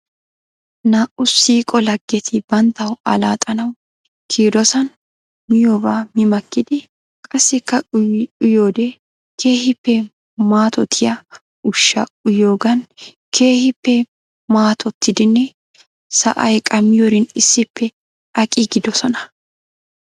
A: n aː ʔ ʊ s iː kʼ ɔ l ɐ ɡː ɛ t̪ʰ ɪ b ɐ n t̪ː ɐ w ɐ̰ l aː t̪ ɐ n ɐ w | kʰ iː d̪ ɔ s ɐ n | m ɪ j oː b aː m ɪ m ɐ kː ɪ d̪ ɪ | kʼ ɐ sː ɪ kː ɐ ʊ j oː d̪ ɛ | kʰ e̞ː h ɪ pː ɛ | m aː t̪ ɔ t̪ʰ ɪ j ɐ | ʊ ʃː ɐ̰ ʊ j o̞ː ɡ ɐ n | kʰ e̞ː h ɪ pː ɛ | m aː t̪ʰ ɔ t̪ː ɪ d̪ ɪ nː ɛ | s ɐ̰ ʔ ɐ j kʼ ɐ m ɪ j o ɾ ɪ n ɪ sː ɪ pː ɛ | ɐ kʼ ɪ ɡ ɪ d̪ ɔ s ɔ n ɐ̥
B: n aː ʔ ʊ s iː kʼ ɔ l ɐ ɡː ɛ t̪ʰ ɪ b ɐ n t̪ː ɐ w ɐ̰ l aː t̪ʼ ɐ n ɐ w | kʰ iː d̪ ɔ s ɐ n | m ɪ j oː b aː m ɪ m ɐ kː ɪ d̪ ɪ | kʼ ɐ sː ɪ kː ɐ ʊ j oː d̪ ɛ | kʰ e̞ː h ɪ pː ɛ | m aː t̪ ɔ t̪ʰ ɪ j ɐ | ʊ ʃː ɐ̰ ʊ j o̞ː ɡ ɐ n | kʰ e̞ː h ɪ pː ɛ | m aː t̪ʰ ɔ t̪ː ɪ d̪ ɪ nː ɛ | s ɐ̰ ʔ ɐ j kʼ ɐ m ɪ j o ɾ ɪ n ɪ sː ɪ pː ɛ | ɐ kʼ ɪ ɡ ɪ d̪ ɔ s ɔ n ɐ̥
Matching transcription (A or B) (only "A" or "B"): B